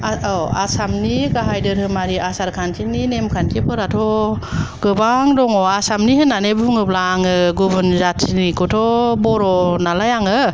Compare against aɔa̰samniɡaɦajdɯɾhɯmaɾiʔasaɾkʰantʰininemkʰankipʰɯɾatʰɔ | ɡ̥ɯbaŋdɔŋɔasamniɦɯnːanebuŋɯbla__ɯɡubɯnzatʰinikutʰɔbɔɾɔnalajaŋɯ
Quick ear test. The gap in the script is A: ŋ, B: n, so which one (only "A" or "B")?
A